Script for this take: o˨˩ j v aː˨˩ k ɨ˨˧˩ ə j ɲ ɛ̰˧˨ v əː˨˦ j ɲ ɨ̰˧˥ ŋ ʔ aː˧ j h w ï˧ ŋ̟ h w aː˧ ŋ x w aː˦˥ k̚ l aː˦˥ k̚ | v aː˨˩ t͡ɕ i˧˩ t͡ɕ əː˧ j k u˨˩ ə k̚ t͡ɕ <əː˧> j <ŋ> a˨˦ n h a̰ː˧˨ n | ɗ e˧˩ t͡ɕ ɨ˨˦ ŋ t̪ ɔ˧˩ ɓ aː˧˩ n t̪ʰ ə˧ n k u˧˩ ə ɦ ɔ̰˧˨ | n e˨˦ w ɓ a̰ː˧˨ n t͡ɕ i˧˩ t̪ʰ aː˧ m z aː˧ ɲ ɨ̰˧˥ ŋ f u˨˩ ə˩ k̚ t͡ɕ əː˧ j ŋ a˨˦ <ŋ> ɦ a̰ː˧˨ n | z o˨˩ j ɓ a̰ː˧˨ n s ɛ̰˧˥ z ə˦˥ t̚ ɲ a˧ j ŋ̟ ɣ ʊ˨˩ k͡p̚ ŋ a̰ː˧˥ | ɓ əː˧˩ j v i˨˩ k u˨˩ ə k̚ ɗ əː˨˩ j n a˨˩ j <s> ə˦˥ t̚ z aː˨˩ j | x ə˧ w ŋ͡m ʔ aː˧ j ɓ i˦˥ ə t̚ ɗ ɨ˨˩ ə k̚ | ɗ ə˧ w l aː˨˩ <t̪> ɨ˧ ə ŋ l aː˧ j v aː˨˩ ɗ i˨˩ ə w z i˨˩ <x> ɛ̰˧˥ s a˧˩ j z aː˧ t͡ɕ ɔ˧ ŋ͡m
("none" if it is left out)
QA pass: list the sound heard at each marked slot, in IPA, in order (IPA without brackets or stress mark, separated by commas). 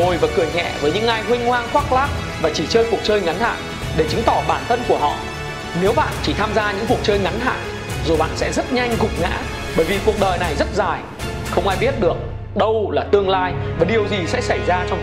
əː˧, ŋ, n, z, t̪, s